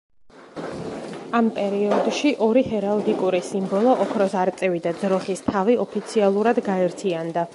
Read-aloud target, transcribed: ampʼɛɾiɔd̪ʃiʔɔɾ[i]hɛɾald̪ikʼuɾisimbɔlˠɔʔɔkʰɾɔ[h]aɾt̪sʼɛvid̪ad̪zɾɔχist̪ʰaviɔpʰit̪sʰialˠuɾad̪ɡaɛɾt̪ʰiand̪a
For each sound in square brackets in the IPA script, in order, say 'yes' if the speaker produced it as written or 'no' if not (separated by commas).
yes, no